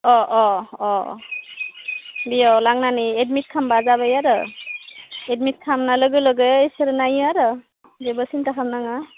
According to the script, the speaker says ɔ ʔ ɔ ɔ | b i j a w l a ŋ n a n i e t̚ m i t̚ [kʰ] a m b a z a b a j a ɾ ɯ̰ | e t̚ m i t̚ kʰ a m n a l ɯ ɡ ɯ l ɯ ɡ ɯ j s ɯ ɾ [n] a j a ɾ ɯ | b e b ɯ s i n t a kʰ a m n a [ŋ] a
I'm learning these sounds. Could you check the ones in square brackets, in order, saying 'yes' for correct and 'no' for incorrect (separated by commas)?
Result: yes, yes, yes